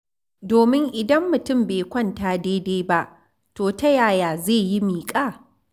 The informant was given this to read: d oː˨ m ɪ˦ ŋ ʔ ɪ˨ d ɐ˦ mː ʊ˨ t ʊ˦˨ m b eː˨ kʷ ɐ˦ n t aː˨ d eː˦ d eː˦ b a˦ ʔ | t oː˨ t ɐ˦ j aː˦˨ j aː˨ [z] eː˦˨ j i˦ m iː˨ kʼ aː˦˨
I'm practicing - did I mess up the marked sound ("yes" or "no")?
no